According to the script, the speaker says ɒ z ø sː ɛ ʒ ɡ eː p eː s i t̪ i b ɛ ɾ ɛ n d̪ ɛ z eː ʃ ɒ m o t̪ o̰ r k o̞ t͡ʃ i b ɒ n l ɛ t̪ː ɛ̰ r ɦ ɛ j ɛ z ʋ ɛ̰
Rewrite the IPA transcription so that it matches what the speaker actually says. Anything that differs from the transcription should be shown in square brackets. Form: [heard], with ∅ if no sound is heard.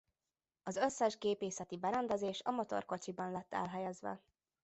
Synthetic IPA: ɒ z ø sː ɛ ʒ ɡ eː p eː s [ɛ] t̪ i b ɛ ɾ ɛ n d̪ ɛ z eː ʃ ɒ m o t̪ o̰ r k o̞ t͡ʃ i b ɒ n l ɛ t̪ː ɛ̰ [l] ɦ ɛ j ɛ z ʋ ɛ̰